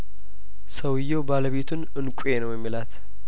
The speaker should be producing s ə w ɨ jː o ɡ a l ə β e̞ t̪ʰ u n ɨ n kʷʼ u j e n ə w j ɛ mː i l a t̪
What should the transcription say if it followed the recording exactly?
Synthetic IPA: s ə w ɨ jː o b a l ə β e̞ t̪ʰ u n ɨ n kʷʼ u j e n ə w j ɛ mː i l a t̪